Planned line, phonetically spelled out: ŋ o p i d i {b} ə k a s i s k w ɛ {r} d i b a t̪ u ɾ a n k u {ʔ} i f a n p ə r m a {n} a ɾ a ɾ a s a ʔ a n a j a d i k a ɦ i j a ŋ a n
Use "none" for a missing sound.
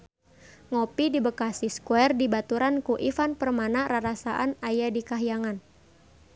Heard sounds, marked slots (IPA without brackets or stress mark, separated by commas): b, r, ʔ, n